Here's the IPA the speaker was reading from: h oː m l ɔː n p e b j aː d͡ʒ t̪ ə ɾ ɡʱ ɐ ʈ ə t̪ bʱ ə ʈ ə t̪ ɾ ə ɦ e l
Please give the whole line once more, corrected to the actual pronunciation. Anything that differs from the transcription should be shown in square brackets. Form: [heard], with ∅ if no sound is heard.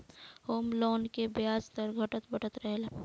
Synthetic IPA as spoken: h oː m l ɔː n [k] e b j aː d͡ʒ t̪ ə ɾ ɡʱ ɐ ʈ ə t̪ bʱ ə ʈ ə t̪ ɾ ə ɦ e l